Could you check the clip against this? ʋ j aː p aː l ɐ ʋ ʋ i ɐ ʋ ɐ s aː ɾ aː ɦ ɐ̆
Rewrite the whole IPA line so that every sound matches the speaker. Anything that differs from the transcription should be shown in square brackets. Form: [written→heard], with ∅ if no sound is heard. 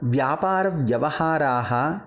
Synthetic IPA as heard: ʋ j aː p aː [l→ɾ] ɐ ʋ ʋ [i→j] ɐ ʋ ɐ [s→h] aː ɾ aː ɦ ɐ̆